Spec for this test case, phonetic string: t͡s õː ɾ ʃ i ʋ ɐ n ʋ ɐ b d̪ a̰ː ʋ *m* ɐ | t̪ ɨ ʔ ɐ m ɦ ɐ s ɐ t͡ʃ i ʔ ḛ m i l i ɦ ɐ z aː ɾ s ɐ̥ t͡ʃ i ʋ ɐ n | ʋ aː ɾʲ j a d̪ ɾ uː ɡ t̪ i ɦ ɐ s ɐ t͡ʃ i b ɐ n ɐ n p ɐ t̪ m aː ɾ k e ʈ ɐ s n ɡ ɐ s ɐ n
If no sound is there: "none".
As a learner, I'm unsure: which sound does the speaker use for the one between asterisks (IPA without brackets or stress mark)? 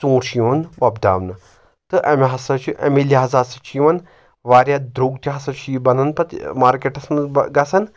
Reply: n